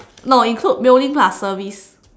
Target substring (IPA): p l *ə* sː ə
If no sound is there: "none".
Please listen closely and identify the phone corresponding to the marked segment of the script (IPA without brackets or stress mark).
a